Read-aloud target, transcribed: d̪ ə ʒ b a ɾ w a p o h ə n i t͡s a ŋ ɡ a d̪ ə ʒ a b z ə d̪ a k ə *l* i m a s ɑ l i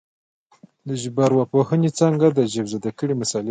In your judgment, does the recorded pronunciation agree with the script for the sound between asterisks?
no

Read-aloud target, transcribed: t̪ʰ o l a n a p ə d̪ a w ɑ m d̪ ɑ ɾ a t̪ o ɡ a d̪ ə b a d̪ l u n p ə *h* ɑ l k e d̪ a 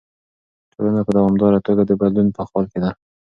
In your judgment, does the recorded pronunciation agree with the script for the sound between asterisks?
no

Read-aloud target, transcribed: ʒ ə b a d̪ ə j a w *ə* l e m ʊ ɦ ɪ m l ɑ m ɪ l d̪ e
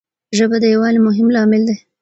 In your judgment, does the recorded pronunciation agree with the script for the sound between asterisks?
no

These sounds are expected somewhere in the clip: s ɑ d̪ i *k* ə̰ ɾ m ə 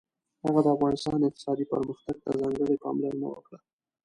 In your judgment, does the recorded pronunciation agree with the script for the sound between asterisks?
no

